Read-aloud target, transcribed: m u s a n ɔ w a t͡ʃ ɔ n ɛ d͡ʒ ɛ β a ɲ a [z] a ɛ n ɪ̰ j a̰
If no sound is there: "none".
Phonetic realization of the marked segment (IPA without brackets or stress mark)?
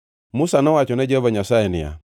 s